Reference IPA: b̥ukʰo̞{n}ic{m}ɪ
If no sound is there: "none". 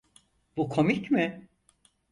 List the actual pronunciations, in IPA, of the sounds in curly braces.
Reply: m, m

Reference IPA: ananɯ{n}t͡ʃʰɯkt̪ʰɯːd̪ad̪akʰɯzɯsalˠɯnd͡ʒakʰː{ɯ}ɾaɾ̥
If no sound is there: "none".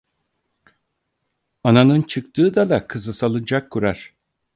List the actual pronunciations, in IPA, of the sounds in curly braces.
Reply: n, u

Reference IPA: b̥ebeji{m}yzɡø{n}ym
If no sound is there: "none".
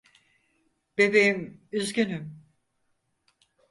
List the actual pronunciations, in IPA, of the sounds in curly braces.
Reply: m, n

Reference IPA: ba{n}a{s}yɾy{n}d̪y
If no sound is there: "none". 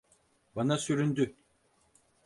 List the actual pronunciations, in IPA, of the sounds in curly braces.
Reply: n, s, n

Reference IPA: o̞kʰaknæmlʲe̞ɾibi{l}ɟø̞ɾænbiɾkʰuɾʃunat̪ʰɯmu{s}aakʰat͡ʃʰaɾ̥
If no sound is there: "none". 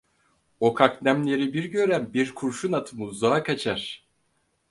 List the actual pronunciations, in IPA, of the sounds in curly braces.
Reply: ɾ, z

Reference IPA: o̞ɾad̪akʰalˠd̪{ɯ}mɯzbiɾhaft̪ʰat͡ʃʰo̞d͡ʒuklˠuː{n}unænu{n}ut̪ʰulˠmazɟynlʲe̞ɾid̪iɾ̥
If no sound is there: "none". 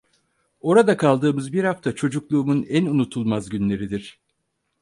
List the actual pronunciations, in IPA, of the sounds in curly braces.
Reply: ɯː, m, n

